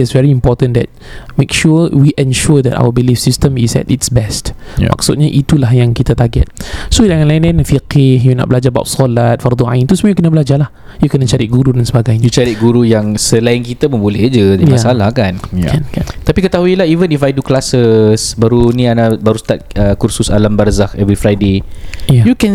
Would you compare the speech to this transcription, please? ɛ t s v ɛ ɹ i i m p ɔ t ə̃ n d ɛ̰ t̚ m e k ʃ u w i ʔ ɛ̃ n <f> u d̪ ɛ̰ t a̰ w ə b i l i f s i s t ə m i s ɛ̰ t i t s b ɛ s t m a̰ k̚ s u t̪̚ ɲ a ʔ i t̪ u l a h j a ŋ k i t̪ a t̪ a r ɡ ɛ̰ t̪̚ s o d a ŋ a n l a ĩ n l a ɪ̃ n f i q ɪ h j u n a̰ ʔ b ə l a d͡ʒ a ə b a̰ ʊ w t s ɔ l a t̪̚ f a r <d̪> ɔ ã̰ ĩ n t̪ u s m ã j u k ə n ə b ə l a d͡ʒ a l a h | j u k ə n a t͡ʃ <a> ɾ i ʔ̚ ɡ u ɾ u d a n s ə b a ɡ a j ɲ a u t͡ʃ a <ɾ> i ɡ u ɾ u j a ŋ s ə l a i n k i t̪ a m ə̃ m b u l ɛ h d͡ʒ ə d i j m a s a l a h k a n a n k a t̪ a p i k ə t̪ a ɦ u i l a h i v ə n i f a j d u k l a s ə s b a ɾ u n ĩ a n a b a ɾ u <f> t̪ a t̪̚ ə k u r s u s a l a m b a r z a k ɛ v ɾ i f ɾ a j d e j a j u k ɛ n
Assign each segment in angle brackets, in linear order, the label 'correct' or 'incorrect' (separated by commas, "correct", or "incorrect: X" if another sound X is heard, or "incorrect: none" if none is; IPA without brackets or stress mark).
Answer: incorrect: ʃ, correct, correct, correct, incorrect: s